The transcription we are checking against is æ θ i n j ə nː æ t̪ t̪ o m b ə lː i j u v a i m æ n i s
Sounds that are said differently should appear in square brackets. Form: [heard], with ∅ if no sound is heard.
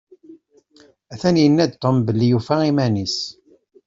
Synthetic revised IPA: æ θ [æ] n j ə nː æ [d̪] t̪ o m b ə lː i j u [f] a i m æ n i s